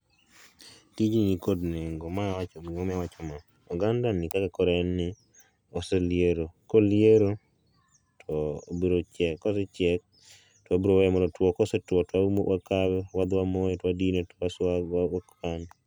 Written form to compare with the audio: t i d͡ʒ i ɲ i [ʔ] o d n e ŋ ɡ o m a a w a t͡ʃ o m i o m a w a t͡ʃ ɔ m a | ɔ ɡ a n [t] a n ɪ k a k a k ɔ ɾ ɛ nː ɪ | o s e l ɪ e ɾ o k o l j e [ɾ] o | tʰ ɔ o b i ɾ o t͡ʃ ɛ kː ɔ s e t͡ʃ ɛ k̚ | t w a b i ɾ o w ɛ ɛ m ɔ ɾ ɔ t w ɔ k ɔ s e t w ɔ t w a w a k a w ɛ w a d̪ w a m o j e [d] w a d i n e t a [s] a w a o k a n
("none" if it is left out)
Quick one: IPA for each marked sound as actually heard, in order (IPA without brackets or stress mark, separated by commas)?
k, d, ɾ, t, s